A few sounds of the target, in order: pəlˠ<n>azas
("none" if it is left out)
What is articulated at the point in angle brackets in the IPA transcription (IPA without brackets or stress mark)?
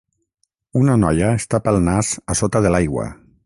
n